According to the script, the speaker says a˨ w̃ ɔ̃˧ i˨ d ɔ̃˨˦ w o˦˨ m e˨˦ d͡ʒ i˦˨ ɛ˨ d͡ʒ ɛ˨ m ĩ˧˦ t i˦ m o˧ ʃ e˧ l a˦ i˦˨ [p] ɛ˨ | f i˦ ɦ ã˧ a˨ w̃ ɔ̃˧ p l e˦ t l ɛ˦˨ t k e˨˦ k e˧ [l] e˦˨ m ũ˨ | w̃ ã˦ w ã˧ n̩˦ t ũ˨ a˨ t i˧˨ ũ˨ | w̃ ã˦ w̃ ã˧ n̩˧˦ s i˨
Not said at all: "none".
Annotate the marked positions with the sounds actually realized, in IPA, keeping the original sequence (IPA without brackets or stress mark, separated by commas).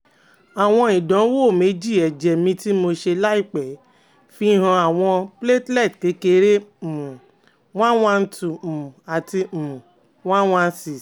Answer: k͡p, ɾ